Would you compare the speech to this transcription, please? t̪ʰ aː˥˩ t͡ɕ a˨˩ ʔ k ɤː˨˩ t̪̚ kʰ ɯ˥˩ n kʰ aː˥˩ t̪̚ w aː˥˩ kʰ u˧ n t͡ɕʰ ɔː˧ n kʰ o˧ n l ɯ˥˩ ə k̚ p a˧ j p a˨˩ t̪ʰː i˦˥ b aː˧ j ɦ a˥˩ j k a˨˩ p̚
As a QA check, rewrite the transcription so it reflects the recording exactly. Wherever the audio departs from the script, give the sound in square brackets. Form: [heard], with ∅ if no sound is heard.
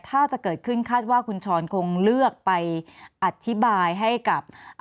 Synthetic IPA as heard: t̪ʰ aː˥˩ t͡ɕ a˨˩ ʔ k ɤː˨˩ t̪̚ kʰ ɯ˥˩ n kʰ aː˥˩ t̪̚ w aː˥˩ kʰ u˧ n t͡ɕʰ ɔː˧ n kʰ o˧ [ŋ] l ɯ˥˩ ə k̚ p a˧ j [ʔ] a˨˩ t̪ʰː i˦˥ b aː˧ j ɦ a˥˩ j k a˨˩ p̚